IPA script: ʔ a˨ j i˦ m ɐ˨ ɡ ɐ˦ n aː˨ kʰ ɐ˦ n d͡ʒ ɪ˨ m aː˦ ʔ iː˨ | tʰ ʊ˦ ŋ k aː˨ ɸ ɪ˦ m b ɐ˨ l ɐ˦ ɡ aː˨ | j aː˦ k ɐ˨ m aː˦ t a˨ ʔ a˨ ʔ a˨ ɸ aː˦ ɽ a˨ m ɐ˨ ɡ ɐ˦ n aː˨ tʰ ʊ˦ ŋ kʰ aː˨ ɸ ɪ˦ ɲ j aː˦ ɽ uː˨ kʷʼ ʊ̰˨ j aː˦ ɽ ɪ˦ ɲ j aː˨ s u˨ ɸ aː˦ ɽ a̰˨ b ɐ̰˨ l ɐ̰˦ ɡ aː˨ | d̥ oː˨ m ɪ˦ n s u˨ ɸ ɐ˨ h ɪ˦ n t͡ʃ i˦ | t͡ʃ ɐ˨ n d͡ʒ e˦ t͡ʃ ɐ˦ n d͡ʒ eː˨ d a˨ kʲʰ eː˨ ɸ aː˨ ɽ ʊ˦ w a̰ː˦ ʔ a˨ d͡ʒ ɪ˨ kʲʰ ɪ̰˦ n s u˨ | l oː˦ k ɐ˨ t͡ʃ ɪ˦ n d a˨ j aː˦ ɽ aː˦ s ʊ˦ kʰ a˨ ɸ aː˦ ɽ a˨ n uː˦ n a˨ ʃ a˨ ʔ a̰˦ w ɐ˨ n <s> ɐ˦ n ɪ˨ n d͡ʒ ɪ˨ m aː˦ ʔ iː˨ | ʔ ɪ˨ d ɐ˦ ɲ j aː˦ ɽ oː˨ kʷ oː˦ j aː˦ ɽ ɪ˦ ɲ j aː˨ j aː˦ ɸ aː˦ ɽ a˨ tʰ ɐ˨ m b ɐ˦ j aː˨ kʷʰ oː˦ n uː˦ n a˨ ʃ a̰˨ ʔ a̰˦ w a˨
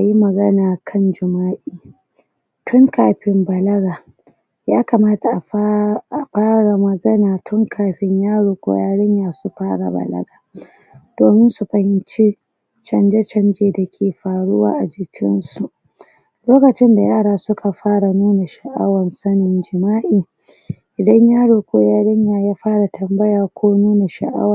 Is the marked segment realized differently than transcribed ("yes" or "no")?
no